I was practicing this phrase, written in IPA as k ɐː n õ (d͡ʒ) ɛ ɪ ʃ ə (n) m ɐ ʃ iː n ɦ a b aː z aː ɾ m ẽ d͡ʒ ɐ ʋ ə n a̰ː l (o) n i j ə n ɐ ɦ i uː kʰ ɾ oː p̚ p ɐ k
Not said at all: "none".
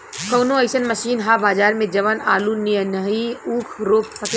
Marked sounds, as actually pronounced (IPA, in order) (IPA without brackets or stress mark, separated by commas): none, n, u